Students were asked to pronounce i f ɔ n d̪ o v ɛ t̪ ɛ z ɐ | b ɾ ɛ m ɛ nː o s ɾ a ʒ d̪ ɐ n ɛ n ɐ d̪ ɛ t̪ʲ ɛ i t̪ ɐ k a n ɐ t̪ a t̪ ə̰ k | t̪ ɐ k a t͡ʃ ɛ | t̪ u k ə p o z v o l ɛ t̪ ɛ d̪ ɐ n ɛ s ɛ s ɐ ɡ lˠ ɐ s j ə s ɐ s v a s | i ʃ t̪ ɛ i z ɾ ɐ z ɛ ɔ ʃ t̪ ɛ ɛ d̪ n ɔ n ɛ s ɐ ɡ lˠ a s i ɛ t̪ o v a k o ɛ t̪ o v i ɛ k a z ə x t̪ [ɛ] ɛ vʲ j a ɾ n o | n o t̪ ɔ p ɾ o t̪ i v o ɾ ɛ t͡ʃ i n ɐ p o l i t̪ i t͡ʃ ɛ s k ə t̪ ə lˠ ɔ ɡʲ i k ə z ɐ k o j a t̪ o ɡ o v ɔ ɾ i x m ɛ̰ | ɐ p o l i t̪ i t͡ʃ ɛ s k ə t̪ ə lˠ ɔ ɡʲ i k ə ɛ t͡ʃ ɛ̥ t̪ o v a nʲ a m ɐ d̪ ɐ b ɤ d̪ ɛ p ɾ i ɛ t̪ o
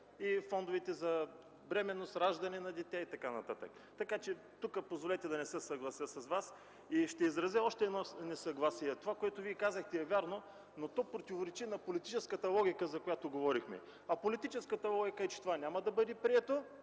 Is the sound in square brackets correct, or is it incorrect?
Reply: correct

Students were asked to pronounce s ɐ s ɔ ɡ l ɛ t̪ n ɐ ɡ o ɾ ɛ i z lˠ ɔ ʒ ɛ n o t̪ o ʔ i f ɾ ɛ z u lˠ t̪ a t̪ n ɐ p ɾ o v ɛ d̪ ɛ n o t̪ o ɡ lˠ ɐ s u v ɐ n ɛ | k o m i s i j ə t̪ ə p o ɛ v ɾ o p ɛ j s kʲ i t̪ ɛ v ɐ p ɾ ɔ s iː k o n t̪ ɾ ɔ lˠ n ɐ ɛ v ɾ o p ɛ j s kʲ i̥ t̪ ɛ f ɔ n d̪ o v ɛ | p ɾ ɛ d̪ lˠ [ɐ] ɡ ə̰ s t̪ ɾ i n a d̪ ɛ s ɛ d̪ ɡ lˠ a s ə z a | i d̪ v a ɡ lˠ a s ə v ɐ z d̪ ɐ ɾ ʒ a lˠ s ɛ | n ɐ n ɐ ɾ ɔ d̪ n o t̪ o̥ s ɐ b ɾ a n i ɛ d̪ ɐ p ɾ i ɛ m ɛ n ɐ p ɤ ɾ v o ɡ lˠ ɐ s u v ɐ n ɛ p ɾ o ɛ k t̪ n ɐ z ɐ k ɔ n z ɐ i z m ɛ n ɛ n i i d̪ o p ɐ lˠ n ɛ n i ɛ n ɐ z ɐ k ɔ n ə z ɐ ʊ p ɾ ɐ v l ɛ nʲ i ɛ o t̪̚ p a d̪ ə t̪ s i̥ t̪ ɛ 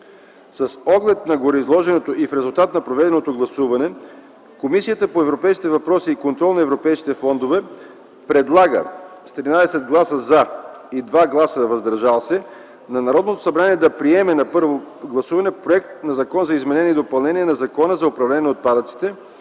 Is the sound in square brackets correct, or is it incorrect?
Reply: incorrect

